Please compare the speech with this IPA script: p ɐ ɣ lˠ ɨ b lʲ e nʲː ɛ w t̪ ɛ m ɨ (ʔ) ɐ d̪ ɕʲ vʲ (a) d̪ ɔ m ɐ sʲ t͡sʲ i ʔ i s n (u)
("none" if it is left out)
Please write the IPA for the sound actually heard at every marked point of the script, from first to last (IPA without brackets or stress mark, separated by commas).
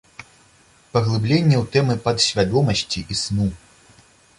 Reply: p, a, u